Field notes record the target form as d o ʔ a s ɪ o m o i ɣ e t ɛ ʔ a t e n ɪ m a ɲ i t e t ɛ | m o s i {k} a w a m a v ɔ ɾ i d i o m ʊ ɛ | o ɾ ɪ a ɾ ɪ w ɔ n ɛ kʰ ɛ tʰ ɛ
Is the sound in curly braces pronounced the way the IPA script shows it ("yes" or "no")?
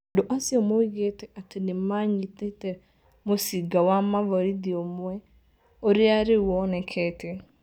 no